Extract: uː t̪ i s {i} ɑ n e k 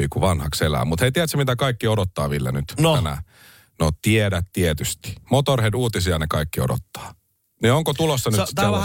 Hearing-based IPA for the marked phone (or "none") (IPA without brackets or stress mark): i